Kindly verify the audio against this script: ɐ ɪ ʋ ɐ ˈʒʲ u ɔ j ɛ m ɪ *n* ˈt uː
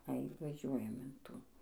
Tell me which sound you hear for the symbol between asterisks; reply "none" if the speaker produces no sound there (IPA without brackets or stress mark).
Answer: n